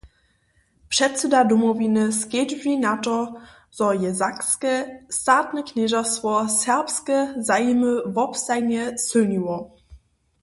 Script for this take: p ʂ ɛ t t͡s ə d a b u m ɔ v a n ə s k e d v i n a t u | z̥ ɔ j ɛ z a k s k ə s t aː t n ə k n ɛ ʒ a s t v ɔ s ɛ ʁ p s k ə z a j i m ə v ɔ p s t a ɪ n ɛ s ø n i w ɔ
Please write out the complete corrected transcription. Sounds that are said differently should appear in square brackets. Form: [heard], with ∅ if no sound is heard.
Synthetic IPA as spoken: p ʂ ɛ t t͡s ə d a [d] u m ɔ v [i] n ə s k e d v i n a t [ɔ] | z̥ ɔ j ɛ z a k s k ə s t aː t n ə k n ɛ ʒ a s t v ɔ s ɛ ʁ p s k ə z a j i m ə v ɔ p s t a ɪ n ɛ s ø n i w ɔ